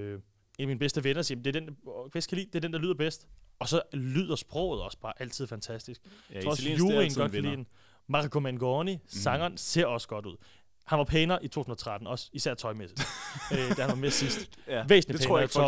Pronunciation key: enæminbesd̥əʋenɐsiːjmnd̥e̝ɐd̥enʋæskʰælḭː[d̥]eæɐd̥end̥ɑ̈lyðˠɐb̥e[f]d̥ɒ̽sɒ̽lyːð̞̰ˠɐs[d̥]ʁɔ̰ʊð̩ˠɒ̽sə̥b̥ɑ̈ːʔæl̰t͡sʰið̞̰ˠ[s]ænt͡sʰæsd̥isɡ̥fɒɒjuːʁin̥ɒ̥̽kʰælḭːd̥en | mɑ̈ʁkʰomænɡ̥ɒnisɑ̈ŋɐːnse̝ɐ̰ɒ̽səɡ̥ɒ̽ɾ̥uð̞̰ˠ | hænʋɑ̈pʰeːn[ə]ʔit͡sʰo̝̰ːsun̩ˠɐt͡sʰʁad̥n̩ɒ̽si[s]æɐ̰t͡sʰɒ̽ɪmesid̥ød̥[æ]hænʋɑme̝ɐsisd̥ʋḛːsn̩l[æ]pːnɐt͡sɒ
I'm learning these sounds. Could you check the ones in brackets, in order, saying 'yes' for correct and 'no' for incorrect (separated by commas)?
yes, no, no, no, no, yes, yes, no